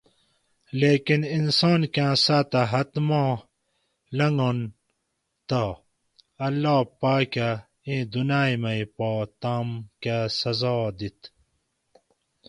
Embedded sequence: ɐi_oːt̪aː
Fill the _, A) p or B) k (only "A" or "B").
A